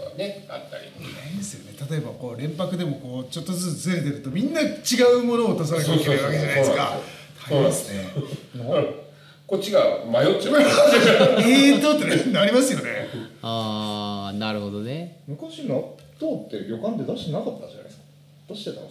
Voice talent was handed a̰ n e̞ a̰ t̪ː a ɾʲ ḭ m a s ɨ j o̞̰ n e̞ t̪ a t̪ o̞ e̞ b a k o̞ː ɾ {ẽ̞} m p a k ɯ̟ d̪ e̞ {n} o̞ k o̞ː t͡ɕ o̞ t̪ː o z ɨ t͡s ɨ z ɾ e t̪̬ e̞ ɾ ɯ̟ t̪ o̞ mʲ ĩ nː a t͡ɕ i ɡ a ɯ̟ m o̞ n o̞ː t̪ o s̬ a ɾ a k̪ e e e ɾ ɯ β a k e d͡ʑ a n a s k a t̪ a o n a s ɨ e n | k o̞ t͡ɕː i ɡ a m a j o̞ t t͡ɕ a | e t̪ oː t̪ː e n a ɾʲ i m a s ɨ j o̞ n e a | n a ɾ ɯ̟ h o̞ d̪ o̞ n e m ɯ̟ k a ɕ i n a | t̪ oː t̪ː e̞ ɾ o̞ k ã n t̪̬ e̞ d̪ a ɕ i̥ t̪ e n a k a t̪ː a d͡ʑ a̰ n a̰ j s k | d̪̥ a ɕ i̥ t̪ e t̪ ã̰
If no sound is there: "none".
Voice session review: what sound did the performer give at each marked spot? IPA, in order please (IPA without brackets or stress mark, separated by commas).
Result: ẽ̞, m